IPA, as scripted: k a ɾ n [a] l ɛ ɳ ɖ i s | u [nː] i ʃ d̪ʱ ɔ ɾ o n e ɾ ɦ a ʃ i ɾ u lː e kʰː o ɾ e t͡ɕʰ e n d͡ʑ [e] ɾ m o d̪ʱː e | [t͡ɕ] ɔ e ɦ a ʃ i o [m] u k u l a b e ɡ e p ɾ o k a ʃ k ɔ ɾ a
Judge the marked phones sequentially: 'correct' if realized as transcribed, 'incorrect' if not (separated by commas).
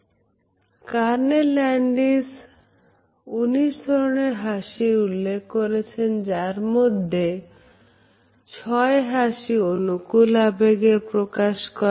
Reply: incorrect, incorrect, incorrect, incorrect, incorrect